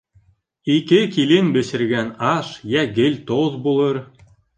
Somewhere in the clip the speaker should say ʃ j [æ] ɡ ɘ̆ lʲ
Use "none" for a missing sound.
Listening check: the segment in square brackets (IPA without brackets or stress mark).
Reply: æ